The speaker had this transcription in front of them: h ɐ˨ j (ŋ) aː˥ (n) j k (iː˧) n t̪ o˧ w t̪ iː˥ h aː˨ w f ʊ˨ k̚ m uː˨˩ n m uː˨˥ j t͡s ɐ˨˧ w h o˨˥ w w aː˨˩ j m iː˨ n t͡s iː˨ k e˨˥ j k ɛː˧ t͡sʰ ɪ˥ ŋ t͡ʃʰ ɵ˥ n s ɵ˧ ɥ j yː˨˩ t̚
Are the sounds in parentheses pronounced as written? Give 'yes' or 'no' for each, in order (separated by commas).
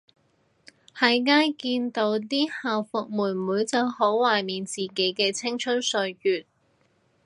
yes, no, yes